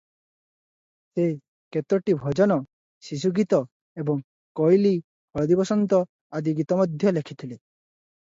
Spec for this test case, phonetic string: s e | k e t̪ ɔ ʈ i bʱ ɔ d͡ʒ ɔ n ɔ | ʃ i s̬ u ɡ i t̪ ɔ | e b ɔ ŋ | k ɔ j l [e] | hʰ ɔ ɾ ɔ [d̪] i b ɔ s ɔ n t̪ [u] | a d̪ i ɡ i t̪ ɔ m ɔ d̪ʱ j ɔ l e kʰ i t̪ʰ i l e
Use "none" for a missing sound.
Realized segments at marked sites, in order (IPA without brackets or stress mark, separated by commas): i, d̪, ɔ